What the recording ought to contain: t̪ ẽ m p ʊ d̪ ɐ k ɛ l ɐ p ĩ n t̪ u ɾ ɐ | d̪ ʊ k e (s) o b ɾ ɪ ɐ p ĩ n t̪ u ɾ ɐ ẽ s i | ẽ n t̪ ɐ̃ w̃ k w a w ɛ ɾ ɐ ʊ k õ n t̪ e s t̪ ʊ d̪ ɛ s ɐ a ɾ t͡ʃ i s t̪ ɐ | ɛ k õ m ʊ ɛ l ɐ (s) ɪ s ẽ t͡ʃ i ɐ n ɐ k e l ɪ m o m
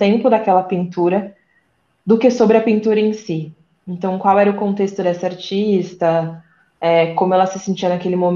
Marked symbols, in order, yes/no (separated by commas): yes, yes